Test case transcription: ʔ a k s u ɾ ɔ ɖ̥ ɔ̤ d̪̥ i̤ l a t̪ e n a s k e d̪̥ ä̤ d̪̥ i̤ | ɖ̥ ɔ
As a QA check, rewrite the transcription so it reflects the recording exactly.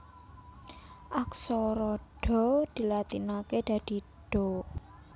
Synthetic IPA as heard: ʔ a k s ɔ ɾ ɔ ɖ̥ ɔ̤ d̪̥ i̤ l a t̪ i n a k e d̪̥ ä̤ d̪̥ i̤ | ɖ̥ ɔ